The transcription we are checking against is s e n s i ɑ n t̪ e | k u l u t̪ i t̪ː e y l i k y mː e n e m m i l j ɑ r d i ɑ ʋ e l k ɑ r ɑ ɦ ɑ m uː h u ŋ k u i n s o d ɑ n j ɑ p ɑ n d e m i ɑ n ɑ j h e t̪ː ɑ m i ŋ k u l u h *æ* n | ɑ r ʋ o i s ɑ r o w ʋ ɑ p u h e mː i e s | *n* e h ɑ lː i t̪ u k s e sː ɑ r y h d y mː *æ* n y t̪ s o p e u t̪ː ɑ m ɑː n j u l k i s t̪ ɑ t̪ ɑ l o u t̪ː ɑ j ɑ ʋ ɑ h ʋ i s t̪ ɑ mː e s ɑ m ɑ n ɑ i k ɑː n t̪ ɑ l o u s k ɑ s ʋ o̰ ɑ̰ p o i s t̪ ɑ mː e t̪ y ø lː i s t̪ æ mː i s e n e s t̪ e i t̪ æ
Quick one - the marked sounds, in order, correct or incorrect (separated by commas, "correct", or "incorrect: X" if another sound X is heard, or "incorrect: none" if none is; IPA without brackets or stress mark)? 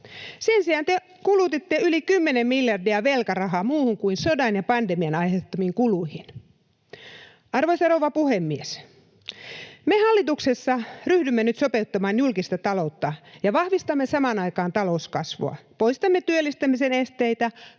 incorrect: i, incorrect: m, incorrect: e